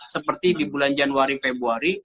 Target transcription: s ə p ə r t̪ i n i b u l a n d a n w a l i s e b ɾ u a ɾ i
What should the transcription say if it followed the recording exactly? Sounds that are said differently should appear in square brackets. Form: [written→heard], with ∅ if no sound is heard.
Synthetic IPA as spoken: s ə p ə r t̪ i [n→d] i b u l a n [d→d͡ʒ] a n w a [l→ɾ] i [s→f] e b ɾ u a ɾ i